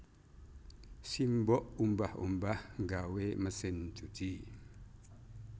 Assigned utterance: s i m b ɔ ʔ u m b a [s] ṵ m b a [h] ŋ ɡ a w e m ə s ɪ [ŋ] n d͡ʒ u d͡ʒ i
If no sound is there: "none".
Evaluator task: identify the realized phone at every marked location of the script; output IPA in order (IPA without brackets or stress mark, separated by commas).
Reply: h, h, none